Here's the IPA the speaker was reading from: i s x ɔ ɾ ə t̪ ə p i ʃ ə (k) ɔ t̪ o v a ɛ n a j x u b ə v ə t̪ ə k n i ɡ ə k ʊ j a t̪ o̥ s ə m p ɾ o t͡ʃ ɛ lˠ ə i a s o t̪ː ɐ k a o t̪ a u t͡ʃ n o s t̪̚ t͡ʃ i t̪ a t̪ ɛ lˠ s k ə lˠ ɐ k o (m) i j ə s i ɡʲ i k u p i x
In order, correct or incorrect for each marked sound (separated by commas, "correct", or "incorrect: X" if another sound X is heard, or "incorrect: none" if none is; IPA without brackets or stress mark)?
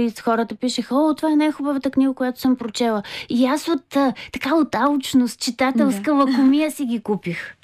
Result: incorrect: x, correct